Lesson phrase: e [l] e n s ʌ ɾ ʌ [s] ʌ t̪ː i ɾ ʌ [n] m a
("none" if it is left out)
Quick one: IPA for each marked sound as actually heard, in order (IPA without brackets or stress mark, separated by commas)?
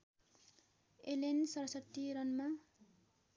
l, s, n